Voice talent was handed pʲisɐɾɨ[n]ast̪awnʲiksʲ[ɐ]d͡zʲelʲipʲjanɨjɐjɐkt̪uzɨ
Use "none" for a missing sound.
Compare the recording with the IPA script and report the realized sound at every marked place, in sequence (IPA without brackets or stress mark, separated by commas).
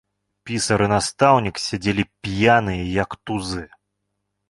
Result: n, a